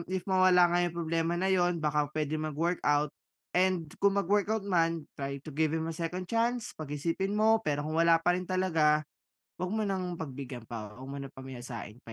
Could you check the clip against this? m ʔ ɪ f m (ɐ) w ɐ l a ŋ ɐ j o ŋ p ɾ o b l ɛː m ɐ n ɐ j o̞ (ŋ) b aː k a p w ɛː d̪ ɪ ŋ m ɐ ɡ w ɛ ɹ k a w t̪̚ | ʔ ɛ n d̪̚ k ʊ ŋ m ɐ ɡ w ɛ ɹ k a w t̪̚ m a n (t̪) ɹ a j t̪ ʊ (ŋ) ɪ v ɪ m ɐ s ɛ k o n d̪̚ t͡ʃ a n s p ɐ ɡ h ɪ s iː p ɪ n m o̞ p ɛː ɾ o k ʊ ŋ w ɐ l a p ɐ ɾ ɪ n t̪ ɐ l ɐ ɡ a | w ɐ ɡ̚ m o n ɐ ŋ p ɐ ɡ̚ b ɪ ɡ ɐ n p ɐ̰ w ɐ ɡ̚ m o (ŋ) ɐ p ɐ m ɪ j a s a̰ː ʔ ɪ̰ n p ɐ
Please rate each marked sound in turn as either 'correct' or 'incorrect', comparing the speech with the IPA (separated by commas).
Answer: correct, incorrect, correct, incorrect, incorrect